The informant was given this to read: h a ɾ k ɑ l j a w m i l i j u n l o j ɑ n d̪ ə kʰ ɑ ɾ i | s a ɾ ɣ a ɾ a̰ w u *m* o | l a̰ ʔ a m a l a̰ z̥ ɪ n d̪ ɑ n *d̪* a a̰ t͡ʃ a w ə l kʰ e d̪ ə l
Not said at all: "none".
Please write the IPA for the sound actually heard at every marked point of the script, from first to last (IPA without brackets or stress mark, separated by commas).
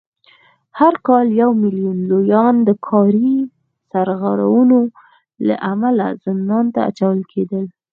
n, t̪